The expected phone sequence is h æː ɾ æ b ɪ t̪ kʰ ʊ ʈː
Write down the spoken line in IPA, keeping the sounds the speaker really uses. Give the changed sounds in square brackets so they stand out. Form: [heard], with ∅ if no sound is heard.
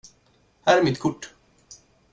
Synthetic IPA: h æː ɾ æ [m] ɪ t̪ kʰ ʊ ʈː